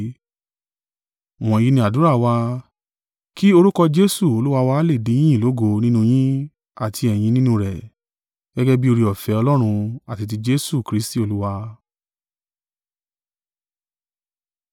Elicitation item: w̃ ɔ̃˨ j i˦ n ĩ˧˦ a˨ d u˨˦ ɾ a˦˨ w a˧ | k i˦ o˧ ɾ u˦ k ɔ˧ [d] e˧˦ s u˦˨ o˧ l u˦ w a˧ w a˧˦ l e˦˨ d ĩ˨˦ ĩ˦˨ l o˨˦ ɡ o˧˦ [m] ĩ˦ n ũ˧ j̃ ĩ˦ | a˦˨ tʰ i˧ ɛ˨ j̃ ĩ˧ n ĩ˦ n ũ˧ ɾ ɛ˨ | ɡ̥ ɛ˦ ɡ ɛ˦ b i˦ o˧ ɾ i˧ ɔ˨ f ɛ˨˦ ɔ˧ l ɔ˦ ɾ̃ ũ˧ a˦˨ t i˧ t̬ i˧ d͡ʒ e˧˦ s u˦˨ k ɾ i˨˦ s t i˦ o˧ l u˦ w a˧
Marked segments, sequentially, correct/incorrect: incorrect, incorrect

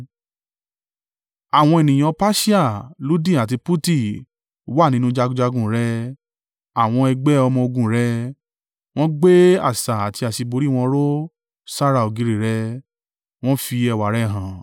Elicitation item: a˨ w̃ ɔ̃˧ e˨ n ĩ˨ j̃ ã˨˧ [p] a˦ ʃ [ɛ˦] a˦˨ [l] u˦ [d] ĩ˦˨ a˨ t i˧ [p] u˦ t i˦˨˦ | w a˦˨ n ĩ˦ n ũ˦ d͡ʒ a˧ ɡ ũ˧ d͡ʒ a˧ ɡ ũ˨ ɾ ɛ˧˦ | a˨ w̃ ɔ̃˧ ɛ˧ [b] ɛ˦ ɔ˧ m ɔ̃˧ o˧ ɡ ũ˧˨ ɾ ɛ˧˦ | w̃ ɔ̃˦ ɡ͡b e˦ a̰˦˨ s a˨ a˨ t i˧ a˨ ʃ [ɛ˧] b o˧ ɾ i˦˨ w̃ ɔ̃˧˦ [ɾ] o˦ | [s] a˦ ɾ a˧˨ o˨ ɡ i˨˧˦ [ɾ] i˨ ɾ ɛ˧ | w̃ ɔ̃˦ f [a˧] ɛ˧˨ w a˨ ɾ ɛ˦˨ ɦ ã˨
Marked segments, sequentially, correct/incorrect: correct, incorrect, correct, correct, correct, incorrect, incorrect, correct, correct, correct, incorrect

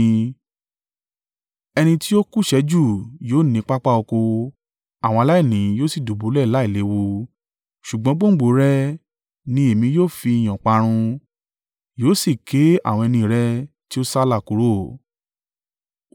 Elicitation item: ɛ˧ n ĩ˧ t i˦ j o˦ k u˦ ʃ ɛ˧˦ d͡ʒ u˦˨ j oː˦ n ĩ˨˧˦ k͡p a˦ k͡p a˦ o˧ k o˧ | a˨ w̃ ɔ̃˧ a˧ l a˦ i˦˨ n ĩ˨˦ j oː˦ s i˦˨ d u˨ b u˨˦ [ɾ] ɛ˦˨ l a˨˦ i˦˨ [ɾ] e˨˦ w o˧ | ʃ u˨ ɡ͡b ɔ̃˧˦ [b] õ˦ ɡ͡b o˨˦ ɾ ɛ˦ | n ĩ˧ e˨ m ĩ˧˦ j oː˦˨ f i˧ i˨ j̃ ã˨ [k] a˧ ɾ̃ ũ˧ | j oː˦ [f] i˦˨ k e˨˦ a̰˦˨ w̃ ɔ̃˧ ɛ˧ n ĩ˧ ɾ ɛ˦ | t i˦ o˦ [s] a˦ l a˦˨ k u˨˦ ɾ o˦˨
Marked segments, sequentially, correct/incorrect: incorrect, incorrect, incorrect, incorrect, incorrect, correct

